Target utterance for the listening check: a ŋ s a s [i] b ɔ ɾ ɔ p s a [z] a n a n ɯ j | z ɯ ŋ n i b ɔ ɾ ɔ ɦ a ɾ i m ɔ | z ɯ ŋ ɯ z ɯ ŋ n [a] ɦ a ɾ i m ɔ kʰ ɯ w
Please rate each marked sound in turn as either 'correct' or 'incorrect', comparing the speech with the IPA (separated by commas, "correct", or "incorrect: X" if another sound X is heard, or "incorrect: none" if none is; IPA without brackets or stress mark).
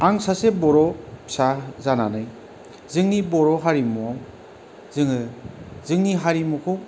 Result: incorrect: e, correct, incorrect: i